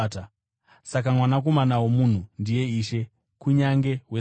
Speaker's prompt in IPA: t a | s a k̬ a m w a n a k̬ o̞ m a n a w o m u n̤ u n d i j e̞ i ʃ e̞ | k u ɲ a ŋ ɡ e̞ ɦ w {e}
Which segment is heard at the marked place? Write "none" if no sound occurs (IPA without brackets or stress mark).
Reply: e